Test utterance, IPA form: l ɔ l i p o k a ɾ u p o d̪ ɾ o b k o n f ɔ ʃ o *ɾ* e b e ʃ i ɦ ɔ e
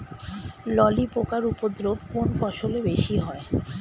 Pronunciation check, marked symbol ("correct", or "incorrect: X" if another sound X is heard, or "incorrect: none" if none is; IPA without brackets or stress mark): incorrect: l